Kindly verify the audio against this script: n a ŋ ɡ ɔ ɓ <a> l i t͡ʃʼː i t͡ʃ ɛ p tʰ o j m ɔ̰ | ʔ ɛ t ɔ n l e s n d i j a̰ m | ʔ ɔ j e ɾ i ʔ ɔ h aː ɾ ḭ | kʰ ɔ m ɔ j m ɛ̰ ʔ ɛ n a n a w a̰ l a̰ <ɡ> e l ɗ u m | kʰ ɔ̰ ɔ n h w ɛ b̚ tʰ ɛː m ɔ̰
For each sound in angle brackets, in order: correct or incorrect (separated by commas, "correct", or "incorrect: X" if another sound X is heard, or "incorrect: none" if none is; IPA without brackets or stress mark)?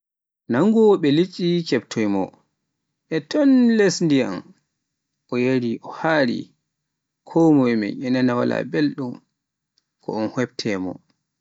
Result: incorrect: ɛ, incorrect: b